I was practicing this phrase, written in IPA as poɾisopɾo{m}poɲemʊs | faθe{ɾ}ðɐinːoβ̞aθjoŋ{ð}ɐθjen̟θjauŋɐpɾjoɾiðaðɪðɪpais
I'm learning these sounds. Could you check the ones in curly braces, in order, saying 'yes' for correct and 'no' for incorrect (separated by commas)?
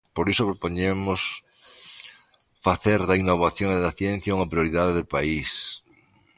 no, yes, yes